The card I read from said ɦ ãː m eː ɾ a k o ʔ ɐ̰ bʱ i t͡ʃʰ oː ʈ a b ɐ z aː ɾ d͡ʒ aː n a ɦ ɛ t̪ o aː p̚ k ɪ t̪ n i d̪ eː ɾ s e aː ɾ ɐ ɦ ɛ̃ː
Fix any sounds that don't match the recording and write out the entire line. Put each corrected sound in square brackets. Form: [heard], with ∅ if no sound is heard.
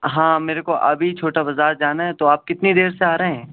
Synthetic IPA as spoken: ɦ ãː m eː ɾ [e] k o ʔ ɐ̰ bʱ i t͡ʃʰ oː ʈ a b ɐ z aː ɾ d͡ʒ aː n a ɦ ɛ t̪ o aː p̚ k ɪ t̪ n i d̪ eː ɾ s e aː ɾ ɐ ɦ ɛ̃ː

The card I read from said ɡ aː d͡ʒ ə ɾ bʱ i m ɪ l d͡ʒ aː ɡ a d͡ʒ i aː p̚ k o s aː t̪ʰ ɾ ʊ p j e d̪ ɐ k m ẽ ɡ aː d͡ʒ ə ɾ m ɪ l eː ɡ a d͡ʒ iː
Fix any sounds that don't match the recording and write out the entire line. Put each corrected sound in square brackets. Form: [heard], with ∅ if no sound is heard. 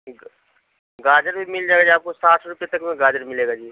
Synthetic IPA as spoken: ɡ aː d͡ʒ ə ɾ bʱ i m ɪ l d͡ʒ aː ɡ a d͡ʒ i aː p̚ k o s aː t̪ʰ ɾ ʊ p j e [t̪] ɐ k m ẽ ɡ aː d͡ʒ ə ɾ m ɪ l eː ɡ a d͡ʒ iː

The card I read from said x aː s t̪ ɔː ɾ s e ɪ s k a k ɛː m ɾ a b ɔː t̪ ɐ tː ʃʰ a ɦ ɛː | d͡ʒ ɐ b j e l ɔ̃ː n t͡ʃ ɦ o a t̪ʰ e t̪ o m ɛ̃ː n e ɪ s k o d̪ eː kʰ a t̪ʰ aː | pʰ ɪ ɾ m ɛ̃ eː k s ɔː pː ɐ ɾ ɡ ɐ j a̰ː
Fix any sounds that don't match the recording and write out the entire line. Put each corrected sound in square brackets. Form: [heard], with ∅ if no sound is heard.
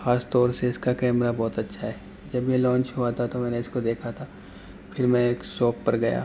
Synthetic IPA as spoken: x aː s t̪ ɔː ɾ s e ɪ s k a k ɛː m ɾ a b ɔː t̪ ɐ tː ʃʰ a ɦ ɛː | d͡ʒ ɐ b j e l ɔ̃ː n t͡ʃ ɦ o a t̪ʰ [a] t̪ o m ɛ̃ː n e ɪ s k o d̪ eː kʰ a t̪ʰ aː | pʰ ɪ ɾ m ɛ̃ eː k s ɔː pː ɐ ɾ ɡ ɐ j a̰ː

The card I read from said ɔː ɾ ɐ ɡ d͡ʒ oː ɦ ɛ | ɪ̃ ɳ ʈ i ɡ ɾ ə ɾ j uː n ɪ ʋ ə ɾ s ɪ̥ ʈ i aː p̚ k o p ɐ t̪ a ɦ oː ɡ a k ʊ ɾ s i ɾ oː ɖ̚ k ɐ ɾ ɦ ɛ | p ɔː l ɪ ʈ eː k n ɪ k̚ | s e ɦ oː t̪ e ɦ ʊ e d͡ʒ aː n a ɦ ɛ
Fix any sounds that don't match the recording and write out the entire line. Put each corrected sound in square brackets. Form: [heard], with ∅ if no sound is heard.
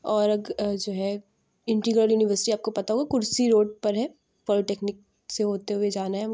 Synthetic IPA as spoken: ɔː ɾ ɐ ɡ d͡ʒ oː ɦ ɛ | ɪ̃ ɳ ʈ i ɡ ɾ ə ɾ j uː n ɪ ʋ ə ɾ s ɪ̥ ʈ i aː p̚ k o p ɐ t̪ a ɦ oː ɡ a k ʊ ɾ s i ɾ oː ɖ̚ [p] ɐ ɾ ɦ ɛ | p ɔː l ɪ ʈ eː k n ɪ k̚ | s e ɦ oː t̪ e ɦ ʊ e d͡ʒ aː n a ɦ ɛ

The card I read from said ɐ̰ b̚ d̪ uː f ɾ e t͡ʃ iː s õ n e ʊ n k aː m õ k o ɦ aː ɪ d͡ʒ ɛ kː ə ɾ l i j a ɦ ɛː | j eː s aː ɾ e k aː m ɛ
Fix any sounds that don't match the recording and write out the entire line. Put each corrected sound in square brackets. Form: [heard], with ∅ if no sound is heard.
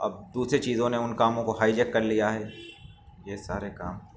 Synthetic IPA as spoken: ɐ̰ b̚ d̪ uː [s] ɾ e t͡ʃ iː [z] õ n e ʊ n k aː m õ k o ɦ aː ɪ d͡ʒ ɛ kː [ɐ] ɾ l i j a ɦ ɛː | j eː s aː ɾ e k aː m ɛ

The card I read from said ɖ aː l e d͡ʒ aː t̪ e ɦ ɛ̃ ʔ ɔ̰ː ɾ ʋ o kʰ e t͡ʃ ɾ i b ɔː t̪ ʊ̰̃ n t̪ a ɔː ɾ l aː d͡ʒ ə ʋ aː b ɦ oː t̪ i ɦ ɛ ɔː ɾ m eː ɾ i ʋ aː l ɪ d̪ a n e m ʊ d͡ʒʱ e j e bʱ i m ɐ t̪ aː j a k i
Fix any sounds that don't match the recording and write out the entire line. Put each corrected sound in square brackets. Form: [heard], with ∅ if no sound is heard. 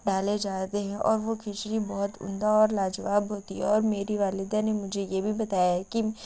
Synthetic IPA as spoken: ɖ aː l e d͡ʒ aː t̪ e ɦ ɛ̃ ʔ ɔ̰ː ɾ ʋ o kʰ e t͡ʃ ɾ i b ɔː t̪ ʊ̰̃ n [d̪] a ɔː ɾ l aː d͡ʒ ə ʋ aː b ɦ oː t̪ i ɦ ɛ ɔː ɾ m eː ɾ i ʋ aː l ɪ d̪ a n e m ʊ d͡ʒʱ e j e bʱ i [b] ɐ t̪ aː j a k i

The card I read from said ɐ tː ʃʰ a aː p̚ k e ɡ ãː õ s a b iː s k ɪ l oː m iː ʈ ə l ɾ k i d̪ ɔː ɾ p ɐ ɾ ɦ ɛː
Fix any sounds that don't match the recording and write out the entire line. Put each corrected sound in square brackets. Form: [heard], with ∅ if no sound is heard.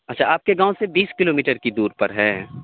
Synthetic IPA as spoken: ɐ tː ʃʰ a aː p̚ k e ɡ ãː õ s [e] b iː s k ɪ l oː m iː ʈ ə [∅] ɾ k i d̪ [uː] ɾ p ɐ ɾ ɦ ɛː

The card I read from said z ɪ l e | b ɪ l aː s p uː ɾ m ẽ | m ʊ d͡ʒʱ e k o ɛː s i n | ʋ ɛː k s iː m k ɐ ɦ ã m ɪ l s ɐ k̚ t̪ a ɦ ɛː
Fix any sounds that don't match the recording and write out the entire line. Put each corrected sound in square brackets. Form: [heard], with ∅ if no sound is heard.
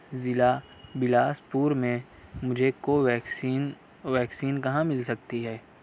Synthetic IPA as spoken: z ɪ l [a] | b ɪ l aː s p uː ɾ m ẽ | m ʊ d͡ʒʱ e k o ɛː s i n | ʋ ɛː k s iː [n] k ɐ ɦ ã m ɪ l s ɐ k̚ t̪ [i] ɦ ɛː

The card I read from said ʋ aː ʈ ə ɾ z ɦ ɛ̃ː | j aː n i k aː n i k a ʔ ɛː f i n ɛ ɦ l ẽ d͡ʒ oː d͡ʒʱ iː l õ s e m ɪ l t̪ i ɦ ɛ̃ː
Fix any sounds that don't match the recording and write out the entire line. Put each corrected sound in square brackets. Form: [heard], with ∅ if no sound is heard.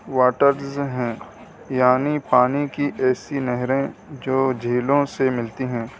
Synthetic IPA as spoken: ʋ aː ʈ ə ɾ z ɦ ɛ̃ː | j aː n i [p] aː n i k [i] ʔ ɛː [s] i n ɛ ɦ [ɾ] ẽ d͡ʒ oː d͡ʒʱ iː l õ s e m ɪ l t̪ i ɦ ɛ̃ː

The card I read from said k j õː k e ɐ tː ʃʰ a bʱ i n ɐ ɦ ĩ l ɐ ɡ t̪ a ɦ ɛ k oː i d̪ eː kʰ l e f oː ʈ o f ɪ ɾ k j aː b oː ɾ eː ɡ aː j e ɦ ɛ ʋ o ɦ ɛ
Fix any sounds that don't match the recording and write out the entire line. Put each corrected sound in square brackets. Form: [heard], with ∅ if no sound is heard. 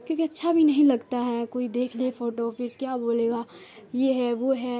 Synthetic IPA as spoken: k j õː k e ɐ tː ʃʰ a bʱ i n ɐ ɦ ĩ l ɐ ɡ t̪ a ɦ ɛ k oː i d̪ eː kʰ l e f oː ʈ o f ɪ ɾ k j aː b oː [l] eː ɡ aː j e ɦ ɛ ʋ o ɦ ɛ

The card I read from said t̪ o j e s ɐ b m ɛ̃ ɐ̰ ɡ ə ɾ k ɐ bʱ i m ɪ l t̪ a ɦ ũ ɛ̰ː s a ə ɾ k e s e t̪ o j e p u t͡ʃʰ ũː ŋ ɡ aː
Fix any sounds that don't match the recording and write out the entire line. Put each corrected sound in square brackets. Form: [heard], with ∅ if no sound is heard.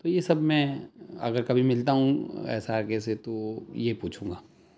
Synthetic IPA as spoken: t̪ o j e s ɐ b m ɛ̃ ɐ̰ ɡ ə ɾ k ɐ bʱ i m ɪ l t̪ a ɦ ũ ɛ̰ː s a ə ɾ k e s e t̪ o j e p [uː] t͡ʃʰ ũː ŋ ɡ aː

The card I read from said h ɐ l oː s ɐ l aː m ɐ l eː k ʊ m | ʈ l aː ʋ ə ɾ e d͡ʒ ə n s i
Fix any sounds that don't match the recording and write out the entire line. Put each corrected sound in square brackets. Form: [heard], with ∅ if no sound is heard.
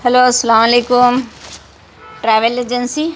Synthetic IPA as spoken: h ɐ l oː s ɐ l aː m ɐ l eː k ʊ m | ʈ [ɾ] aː ʋ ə [l] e d͡ʒ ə n s i

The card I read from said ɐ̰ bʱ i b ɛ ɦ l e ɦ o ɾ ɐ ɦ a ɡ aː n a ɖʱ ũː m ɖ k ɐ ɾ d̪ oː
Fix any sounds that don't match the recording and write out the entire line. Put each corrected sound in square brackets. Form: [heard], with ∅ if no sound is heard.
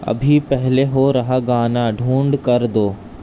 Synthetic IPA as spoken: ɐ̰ bʱ i [p] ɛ ɦ l e ɦ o ɾ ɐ ɦ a ɡ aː n a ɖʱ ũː [ɳ] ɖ k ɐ ɾ d̪ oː

